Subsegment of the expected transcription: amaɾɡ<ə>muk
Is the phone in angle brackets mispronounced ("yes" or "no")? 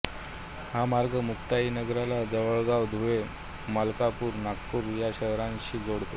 no